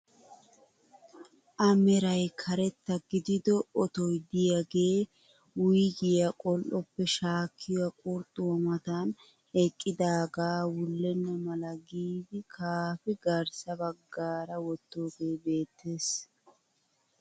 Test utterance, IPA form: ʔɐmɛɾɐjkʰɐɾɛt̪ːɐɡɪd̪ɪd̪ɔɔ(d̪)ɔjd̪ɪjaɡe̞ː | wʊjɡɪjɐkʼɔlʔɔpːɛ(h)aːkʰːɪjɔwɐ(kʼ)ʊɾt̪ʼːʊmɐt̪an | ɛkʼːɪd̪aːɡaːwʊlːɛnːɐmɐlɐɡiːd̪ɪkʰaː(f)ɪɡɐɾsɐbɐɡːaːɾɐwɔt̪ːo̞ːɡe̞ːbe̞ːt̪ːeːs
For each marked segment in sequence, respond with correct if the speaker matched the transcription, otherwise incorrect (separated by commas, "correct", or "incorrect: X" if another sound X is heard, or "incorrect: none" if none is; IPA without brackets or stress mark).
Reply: incorrect: t̪, incorrect: ʃ, correct, correct